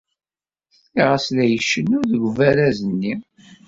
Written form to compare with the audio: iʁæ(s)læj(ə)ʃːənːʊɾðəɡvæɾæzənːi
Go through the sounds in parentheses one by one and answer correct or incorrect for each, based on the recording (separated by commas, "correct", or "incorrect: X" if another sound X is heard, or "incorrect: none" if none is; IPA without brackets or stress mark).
correct, correct